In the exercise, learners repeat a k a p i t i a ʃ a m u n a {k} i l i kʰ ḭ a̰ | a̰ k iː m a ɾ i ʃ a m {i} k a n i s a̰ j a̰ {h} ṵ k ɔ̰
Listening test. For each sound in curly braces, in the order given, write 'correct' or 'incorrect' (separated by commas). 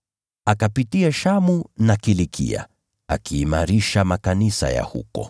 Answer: correct, incorrect, correct